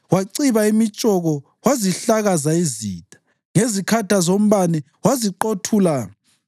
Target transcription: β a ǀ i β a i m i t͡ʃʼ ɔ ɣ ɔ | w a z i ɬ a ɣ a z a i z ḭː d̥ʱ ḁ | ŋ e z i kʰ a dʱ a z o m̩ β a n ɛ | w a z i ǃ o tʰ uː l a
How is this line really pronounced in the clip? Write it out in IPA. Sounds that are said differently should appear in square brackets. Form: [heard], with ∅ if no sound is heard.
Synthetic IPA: [w] a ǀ i β a i m i t͡ʃʼ ɔ ɣ ɔ | w a z i ɬ a ɣ a z a i z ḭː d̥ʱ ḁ | ŋ e z i kʰ a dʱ a z o m̩ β a n ɛ | w a z i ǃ o tʰ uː l a